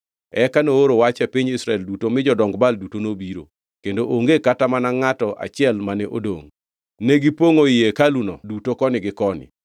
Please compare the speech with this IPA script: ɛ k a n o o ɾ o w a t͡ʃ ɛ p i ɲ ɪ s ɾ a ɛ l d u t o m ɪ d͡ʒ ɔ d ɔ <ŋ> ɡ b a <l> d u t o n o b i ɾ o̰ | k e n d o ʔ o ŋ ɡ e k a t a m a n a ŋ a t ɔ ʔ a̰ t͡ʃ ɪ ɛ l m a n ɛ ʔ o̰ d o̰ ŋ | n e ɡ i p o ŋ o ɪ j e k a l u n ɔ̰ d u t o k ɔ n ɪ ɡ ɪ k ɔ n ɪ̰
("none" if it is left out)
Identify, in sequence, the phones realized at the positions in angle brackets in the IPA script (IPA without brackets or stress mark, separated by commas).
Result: ŋ, l